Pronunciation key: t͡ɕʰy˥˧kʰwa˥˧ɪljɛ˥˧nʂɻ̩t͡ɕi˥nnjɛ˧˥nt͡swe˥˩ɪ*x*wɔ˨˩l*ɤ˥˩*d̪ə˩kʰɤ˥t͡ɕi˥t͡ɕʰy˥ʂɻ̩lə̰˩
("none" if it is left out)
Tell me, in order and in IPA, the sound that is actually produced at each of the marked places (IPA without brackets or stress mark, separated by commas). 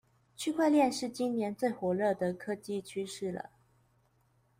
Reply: x, ɤ˥˩